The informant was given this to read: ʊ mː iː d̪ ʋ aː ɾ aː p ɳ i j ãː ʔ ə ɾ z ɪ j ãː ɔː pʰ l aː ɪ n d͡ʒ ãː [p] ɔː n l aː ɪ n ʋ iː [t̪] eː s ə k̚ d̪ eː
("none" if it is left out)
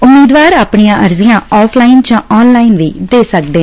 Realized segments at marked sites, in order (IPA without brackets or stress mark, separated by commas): none, d̪